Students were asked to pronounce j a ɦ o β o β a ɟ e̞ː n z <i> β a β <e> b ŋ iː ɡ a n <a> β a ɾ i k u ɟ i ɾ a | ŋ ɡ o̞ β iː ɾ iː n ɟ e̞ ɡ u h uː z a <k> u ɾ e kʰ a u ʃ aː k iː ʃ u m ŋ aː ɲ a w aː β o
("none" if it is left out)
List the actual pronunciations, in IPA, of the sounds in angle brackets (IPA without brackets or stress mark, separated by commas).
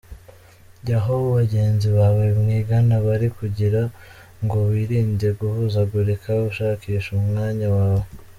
i, e, a, ɡ